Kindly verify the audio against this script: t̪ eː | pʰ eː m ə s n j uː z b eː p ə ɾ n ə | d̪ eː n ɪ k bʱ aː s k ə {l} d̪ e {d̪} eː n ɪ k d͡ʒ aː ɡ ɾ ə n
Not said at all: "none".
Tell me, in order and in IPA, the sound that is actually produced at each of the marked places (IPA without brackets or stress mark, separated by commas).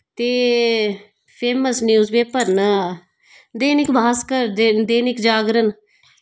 ɾ, d̪